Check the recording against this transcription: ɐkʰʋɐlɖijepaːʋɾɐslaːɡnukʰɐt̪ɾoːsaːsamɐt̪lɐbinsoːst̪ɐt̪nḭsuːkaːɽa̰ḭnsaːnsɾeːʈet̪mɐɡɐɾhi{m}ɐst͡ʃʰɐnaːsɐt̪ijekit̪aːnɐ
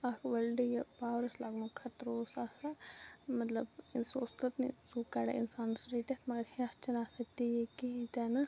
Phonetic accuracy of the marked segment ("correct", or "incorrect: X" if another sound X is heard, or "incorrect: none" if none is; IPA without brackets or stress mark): incorrect: none